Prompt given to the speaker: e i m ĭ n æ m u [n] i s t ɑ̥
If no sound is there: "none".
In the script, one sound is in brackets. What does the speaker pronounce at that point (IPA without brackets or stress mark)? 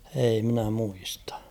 none